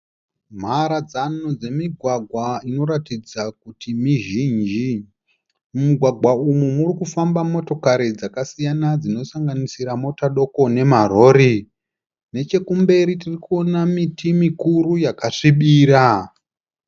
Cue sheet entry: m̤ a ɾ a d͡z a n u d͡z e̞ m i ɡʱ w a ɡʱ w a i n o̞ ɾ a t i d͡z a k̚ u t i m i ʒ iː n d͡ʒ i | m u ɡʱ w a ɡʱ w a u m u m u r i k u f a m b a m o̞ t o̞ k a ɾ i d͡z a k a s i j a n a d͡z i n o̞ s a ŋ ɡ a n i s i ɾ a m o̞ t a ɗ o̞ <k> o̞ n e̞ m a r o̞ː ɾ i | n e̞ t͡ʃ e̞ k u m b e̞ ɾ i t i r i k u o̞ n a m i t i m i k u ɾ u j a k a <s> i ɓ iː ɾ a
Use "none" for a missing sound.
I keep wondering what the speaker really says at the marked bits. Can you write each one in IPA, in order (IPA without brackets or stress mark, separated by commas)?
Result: k, ʂ